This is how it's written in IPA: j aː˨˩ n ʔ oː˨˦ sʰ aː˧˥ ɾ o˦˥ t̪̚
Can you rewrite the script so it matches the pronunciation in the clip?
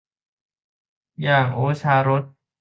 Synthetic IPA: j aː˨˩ ŋ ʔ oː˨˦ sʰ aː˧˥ ɾ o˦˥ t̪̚